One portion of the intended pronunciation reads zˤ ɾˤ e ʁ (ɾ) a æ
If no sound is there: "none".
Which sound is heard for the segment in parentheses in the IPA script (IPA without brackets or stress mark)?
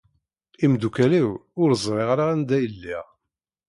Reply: ɾ